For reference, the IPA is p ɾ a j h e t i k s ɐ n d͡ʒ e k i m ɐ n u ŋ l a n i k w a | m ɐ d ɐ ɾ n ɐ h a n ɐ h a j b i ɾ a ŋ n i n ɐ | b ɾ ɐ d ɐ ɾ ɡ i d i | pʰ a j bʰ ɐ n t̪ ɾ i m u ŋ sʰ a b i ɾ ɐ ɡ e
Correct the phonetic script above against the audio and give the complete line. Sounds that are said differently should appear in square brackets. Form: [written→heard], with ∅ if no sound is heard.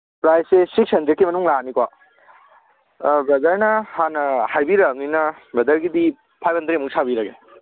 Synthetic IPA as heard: p ɾ a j [h→s] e [t→s] i k s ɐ n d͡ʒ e k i m ɐ n u ŋ l a n i k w a | [m→b] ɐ d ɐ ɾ n ɐ h a n ɐ h a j b i ɾ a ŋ n i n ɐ | b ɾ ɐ d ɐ ɾ ɡ i d i | pʰ a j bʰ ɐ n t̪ ɾ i m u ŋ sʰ a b i ɾ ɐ ɡ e